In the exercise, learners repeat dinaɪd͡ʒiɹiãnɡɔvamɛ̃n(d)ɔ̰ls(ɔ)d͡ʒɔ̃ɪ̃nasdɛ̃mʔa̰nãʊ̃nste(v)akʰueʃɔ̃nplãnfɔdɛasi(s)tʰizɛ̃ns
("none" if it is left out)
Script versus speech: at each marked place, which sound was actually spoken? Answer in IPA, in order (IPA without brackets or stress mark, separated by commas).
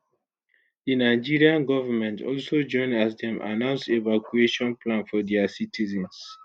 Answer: t, o, v, none